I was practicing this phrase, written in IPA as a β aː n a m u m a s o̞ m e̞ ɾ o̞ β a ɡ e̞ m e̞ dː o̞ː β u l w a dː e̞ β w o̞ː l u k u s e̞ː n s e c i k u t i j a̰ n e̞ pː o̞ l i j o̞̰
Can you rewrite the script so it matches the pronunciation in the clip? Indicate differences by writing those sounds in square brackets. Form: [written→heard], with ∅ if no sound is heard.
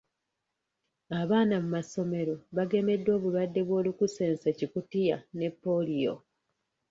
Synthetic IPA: a β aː n a m u m a s o̞ m e̞ ɾ o̞ β a ɡ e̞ m e̞ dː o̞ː β u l w a dː e̞ β w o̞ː l u k u s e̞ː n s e c i k u t i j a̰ n e̞ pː o̞ l i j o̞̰